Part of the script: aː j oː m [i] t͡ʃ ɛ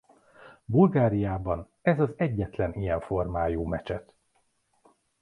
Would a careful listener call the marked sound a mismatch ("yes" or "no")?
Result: yes